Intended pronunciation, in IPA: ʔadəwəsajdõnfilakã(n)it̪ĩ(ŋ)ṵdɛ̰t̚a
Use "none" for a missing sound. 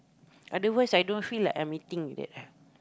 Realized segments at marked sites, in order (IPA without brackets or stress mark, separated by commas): m, ŋ